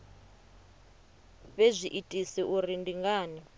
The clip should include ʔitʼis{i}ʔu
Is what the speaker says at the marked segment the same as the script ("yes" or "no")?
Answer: yes